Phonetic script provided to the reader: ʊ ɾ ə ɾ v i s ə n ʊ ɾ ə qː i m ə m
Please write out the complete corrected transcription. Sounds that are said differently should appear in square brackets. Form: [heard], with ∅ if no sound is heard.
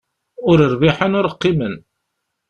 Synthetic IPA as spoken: ʊ ɾ ə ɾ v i [ħ] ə n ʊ ɾ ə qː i m ə [n]

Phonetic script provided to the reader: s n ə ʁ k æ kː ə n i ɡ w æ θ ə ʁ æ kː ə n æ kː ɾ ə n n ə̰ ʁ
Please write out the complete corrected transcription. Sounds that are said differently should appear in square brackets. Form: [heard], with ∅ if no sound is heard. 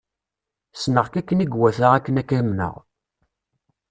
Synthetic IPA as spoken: s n ə ʁ k æ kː ə n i ɡ w æ θ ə ʁ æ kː ə n æ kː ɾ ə [m] n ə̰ ʁ

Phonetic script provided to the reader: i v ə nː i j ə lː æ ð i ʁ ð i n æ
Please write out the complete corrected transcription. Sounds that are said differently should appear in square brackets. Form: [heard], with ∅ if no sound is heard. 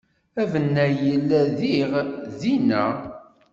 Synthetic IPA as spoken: [æ] v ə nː [æ] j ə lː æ ð i ʁ ð i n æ

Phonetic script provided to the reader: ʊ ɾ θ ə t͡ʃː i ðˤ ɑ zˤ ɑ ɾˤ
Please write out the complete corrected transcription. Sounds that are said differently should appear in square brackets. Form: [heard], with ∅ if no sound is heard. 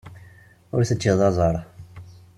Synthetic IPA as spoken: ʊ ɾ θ ə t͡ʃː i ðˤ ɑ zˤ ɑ ɾˤ

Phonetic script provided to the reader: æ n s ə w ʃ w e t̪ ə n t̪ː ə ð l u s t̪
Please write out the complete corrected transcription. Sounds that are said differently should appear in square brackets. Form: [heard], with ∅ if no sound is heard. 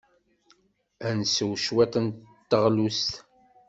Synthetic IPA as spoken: æ n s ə w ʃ w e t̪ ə n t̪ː ə [ʁ] l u s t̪

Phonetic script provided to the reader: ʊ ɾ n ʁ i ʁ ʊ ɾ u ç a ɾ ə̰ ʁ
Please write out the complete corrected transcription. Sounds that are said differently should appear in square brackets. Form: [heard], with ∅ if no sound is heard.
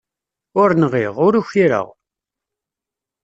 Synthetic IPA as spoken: ʊ ɾ n ʁ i ʁ ʊ ɾ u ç [i] ɾ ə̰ ʁ

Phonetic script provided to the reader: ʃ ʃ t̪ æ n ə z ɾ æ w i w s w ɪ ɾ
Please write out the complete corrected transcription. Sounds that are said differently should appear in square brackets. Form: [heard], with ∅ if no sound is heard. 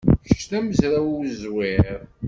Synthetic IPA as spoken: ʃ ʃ t̪ æ [m] ə z ɾ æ w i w [z] w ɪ ɾ

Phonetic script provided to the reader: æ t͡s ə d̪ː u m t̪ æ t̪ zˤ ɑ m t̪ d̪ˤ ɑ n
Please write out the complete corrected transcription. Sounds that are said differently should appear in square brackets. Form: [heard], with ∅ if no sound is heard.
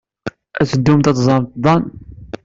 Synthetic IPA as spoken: æ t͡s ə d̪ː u m t̪ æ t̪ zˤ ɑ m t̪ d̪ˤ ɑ n

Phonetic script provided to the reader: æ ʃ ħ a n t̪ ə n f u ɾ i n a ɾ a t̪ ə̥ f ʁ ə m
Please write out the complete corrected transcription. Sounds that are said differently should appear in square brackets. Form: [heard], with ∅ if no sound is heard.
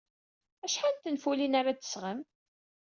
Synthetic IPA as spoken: æ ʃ ħ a n t̪ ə n f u [l] i n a ɾ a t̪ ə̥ [s] ʁ ə m

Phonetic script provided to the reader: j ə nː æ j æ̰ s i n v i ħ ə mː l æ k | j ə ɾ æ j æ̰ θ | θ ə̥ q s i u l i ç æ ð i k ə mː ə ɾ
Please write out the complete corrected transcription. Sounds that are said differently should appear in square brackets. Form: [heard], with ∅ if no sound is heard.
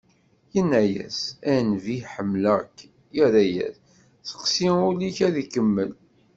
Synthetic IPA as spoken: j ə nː æ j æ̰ s [æ] n v i ħ ə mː l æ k | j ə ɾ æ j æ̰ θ | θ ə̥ q s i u l i ç æ ð i k ə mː ə [l]

